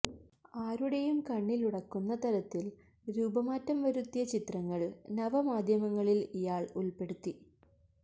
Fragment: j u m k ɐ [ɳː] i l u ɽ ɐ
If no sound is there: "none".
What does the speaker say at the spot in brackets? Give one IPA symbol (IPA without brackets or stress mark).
ɳː